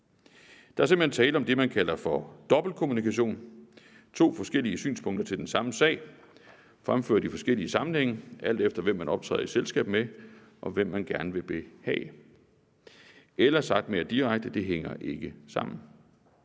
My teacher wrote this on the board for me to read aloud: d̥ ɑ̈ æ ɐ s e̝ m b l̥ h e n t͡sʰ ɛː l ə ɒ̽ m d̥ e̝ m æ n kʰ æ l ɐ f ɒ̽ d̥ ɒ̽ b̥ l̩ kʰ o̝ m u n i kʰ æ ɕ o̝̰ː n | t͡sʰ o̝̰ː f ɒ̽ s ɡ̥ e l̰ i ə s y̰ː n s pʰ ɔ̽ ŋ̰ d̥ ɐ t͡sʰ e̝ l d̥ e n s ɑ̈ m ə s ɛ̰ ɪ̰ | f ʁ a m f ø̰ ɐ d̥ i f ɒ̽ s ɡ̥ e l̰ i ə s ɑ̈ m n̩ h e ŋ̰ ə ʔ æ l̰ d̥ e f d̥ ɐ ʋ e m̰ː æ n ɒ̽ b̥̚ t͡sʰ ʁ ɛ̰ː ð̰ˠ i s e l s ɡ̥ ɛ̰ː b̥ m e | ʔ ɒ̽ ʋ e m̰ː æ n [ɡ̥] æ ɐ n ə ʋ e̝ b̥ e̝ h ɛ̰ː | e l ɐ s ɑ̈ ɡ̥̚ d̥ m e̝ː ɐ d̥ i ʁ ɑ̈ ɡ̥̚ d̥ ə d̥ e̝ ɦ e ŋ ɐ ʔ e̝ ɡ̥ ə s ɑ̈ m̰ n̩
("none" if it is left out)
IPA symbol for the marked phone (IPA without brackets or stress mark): ɡ̥